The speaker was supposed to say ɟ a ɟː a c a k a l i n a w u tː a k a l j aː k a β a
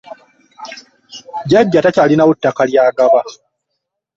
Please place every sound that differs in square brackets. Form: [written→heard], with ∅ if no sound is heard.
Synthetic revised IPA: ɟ a ɟː a [c→t] a [k→c] a l i n a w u tː a k a l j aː [k→ɡ] a β a

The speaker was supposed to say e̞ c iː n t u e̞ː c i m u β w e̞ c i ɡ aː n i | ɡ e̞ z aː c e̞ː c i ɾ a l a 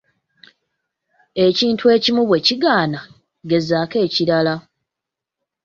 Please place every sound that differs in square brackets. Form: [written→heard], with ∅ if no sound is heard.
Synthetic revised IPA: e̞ c iː n t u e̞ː c i m u β w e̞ c i ɡ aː n [i→a] | ɡ e̞ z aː [c→k] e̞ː c i ɾ a l a

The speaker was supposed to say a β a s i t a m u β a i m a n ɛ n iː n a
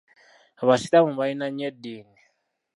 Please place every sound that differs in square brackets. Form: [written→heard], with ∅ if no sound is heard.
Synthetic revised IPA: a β a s i t a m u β a i [m→n] a [n→ɲ] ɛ [n→d] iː n [a→i]

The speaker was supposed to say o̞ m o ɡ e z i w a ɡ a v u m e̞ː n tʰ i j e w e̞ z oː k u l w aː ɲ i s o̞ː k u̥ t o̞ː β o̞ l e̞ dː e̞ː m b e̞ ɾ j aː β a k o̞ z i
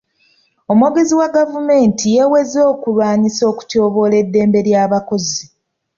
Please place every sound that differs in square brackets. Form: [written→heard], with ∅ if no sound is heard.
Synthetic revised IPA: o̞ m o ɡ e z i w a ɡ a v u m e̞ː n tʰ i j e w e̞ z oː k u l w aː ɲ i s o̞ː k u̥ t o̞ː β o̞ l e̞ dː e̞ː m b e̞ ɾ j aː β a k o̞ z i

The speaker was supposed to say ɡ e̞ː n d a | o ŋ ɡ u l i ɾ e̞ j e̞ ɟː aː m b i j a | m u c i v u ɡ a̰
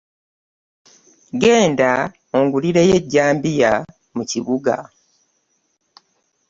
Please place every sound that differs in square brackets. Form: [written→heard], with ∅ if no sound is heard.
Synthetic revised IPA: ɡ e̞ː n d a | o ŋ ɡ u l i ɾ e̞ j e̞ ɟː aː m b i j a | m u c i [v→β] u ɡ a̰

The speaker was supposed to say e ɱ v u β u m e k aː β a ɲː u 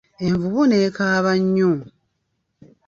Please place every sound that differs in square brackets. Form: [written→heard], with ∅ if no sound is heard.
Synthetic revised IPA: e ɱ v u β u [m→n] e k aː β a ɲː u

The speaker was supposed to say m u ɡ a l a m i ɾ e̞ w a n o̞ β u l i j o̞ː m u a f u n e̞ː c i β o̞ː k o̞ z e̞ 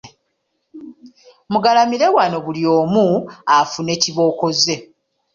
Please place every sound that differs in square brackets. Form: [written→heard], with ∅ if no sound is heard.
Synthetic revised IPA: m u ɡ a l a m i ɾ e̞ w a n o̞ β u l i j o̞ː m u a f u n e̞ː c i β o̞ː k o̞ z e̞

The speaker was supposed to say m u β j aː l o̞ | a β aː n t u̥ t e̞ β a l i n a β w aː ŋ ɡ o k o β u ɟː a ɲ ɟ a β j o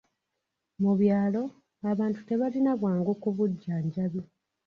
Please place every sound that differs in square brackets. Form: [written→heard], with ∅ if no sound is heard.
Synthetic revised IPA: m u β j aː l o̞ | a β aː n t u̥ t e̞ β a l i n a β w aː ŋ ɡ o k [o→u] β u ɟː a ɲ ɟ a β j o

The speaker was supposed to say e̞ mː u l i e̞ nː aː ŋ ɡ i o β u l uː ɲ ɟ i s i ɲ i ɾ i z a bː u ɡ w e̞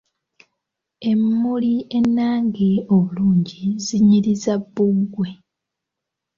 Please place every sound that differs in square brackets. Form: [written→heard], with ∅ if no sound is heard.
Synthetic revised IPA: e̞ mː u l i e̞ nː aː ŋ ɡ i o β u l uː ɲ ɟ i [s→z] i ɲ i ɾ i z a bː u ɡ w e̞

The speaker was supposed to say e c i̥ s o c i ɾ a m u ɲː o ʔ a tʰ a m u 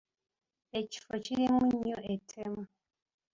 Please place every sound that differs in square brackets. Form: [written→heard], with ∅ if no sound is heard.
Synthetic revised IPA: e c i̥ [s→f] o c i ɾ [a→i] m u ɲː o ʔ [a→e] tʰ [a→e] m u

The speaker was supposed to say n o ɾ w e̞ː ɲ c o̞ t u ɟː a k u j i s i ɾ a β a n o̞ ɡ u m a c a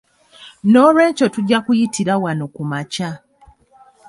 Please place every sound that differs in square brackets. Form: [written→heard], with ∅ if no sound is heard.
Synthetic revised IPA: n o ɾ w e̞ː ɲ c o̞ t u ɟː a k u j i [s→t] i ɾ a [β→w] a n o̞ [ɡ→k] u m a c a

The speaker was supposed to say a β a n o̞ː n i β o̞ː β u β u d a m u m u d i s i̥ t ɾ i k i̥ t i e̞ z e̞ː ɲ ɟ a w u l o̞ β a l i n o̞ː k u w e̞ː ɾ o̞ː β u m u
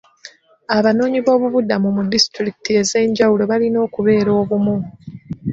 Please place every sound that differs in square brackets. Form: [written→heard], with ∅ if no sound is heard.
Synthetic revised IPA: a β a n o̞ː [n→ɲ] i β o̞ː β u β u d a m u m u d i s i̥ t ɾ i k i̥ t i e̞ z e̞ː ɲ ɟ a w u l o̞ β a l i n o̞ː k u [w→β] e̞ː ɾ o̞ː β u m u

